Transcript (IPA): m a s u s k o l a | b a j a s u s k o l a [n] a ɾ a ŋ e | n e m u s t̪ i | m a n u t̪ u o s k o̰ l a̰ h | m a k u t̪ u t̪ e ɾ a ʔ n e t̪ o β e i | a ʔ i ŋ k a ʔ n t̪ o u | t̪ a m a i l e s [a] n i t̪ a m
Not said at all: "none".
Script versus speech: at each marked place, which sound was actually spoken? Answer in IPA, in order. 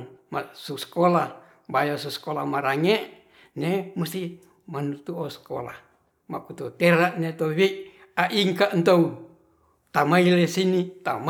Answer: m, i

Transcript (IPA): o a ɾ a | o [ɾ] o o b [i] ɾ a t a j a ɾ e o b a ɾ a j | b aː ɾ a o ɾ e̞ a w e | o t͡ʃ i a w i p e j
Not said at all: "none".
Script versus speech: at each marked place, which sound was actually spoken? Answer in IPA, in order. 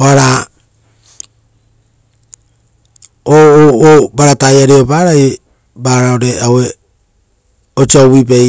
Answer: none, a

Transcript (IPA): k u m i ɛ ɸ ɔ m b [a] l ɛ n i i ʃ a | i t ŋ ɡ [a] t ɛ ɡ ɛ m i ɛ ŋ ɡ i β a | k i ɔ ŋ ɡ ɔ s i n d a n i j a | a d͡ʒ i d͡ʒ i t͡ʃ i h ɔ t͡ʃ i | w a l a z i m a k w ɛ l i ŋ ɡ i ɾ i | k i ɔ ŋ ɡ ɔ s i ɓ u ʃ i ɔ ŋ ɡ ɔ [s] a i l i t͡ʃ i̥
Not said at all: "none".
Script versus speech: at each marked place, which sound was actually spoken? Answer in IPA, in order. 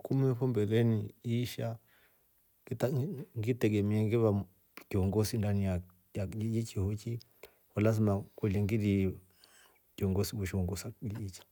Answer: ɛ, i, s

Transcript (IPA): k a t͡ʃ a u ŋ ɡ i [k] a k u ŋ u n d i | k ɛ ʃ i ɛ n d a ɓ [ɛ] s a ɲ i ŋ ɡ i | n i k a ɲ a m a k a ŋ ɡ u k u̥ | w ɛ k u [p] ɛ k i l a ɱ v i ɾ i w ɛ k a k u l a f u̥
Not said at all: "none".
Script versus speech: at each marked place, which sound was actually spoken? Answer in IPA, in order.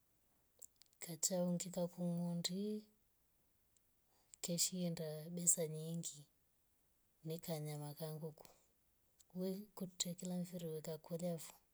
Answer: k, ɛ, t

